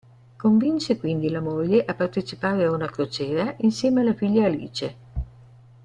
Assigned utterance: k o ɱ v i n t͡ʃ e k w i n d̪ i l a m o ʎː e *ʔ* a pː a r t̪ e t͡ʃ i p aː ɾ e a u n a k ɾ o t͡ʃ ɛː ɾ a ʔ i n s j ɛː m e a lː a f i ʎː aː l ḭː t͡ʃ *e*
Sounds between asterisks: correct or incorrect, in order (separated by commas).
correct, correct